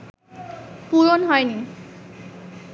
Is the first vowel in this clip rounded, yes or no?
yes